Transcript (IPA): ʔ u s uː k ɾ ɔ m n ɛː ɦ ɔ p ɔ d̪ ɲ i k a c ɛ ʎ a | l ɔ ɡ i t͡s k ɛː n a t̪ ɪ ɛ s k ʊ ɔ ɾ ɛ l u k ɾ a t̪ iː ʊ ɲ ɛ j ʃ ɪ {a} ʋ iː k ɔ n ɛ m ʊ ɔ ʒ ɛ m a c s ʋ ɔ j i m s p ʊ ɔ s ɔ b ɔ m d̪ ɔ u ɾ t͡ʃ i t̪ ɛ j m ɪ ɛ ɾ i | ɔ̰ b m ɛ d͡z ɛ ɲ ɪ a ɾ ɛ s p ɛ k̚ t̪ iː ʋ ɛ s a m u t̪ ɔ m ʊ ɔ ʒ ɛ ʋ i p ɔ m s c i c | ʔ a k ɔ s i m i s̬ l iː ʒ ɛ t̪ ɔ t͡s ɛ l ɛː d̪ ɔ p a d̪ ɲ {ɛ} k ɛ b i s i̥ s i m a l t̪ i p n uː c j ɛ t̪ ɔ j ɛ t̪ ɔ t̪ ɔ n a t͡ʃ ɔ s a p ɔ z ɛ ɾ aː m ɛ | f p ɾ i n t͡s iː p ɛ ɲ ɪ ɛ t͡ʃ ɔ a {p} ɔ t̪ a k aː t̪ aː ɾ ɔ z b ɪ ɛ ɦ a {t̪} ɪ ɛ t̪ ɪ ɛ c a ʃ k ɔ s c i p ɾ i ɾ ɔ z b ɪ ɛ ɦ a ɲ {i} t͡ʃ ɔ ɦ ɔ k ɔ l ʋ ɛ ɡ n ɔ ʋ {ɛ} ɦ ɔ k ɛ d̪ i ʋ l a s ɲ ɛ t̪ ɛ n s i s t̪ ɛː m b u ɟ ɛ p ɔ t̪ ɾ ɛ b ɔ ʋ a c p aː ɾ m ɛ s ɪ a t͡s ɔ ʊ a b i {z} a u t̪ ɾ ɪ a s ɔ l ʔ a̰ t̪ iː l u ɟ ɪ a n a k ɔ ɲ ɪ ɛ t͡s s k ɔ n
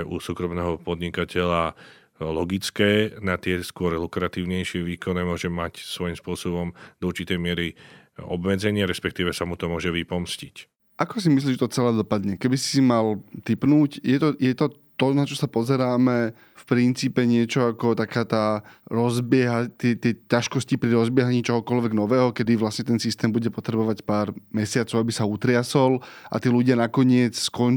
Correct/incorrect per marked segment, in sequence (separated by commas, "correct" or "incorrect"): incorrect, correct, incorrect, correct, incorrect, incorrect, incorrect